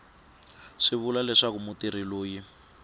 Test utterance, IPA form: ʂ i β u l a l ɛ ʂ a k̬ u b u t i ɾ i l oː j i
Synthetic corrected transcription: ʂ i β u l a l ɛ ʂ a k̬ u m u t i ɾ i l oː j i